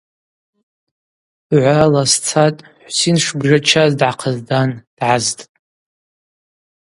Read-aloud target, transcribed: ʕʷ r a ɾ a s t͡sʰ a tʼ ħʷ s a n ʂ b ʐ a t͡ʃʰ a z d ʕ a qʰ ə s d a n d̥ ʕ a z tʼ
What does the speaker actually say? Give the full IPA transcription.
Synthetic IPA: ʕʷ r a l a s t͡sʰ a tʼ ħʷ s i n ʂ b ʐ a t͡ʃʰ a z d ʕ a qʰ ə z d a n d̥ ʕ a z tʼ